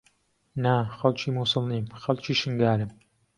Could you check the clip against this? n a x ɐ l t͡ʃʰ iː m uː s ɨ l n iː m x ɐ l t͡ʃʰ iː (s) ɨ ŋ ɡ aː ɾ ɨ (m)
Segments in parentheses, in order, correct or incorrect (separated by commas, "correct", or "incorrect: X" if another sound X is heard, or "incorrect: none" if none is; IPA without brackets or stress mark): incorrect: ʃ, correct